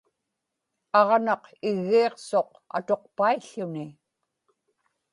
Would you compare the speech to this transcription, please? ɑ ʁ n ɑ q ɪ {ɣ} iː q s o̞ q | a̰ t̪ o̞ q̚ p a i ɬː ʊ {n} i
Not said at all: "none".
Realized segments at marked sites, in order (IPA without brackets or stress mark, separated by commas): ɣː, n